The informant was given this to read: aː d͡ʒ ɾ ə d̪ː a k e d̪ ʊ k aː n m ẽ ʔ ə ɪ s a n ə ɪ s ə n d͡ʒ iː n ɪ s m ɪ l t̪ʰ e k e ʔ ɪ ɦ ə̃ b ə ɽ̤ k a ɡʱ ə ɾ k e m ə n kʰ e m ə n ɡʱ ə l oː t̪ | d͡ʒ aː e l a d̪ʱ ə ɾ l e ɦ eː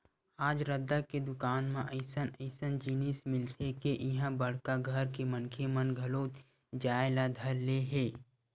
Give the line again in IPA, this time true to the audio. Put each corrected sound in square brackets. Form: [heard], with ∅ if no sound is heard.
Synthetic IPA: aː d͡ʒ ɾ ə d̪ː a k e d̪ ʊ k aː n m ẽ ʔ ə ɪ s [ə] n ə ɪ s ə n d͡ʒ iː n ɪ s m ɪ l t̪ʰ e k e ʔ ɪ ɦ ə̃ b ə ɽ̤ k a ɡʱ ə ɾ k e m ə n kʰ e m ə n ɡʱ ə l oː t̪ | d͡ʒ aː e l a d̪ʱ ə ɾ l e ɦ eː